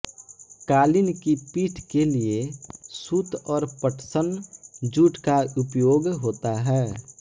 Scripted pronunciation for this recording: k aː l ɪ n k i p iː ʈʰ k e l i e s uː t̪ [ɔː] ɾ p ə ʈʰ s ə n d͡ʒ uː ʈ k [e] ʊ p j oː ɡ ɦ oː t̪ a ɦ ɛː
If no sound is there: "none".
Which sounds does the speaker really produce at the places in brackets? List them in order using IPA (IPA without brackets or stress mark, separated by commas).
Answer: ɔː, a